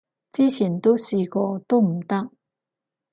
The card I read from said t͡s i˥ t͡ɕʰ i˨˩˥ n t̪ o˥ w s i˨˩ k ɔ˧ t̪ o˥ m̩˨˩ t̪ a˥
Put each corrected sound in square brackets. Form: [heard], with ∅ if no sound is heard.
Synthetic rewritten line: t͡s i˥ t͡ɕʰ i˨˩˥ n t̪ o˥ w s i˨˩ k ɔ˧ t̪ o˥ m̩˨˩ t̪ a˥